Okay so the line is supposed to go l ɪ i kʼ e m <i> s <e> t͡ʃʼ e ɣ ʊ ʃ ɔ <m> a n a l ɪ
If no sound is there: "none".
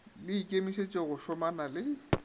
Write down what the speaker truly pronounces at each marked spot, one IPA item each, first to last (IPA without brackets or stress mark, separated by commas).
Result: i, e, m